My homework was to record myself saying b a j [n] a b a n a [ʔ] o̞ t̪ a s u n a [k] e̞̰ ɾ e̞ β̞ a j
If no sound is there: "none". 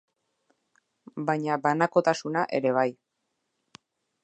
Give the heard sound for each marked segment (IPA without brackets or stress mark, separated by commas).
ɲ, k, ʔ